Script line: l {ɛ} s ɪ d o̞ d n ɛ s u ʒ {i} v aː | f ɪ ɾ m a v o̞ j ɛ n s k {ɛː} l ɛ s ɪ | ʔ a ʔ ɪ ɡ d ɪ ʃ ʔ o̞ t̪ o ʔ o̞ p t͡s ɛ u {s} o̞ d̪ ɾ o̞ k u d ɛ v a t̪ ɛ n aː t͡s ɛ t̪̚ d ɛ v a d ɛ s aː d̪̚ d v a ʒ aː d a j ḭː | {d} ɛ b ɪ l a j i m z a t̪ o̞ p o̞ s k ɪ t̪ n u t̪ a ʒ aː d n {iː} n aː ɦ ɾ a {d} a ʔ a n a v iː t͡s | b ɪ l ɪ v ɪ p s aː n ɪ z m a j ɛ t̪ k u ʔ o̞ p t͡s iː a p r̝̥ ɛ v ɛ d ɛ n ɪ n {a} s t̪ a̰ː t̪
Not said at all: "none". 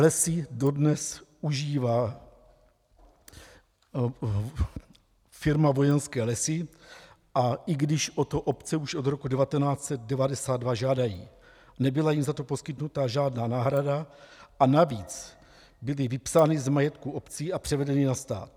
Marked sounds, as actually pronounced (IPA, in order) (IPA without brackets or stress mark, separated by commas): ɛ, iː, ɛː, ʃ, n, aː, d, a